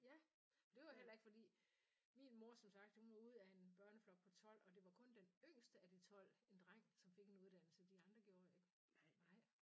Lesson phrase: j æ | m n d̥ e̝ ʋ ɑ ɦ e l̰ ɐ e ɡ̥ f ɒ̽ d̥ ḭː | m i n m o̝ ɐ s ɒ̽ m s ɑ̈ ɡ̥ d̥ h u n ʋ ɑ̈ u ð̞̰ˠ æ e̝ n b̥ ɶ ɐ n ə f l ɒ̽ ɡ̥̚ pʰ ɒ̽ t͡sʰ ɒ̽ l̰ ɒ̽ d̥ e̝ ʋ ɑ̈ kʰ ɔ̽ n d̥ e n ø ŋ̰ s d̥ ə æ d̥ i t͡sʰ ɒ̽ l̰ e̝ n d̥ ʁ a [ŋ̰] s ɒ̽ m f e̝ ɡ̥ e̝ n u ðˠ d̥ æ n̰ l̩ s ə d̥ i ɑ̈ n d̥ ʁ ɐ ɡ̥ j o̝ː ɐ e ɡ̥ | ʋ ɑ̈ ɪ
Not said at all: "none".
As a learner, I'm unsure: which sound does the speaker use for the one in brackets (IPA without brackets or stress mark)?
ŋ̰